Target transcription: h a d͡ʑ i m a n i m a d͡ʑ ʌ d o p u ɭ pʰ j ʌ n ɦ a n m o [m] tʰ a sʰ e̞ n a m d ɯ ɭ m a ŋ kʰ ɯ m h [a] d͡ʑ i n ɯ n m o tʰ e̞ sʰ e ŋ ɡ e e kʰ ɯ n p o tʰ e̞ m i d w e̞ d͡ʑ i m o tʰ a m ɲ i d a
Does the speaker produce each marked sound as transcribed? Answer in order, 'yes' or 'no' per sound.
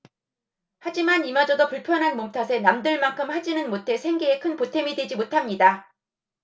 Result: yes, yes

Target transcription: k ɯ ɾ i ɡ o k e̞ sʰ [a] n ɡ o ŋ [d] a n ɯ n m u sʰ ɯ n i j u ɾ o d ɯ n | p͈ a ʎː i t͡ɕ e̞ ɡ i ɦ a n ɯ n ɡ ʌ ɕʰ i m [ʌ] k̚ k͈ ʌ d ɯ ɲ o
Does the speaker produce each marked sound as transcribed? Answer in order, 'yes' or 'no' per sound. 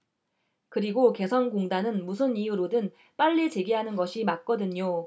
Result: no, yes, no

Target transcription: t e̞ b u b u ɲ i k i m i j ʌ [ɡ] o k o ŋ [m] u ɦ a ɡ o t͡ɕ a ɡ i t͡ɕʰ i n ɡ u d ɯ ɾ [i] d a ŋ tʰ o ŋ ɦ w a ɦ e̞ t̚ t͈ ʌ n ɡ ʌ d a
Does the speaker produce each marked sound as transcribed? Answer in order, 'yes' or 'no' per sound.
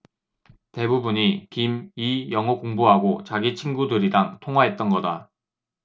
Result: no, no, yes

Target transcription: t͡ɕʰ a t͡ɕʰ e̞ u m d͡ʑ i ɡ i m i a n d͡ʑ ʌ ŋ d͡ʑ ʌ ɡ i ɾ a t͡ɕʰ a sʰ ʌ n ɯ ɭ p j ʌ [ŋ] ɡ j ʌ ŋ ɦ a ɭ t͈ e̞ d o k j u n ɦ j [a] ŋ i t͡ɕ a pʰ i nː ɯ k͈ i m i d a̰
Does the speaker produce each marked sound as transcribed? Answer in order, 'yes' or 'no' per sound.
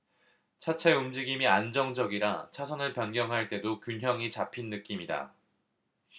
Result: no, no

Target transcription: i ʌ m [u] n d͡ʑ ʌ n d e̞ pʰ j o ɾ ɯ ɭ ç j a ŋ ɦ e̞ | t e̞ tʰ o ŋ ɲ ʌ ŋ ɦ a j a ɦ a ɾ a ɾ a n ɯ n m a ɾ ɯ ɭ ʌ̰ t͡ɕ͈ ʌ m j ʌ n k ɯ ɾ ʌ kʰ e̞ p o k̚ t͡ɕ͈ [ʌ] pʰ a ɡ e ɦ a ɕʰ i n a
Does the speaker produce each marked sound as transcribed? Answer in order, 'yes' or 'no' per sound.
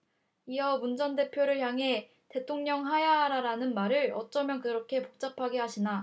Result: yes, no

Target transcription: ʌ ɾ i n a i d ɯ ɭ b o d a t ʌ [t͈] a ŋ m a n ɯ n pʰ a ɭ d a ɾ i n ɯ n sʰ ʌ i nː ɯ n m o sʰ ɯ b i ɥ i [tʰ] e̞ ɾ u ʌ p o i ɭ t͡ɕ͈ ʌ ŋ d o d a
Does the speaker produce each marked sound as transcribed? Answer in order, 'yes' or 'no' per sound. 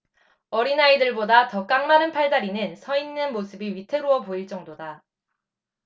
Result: no, yes

